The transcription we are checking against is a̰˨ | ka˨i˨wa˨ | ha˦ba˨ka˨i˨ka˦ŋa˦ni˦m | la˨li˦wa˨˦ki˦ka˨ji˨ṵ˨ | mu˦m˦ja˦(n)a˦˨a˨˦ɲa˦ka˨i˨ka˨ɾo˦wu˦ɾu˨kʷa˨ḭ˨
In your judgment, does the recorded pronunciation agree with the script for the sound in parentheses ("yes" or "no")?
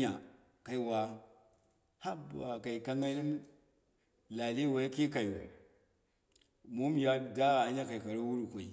no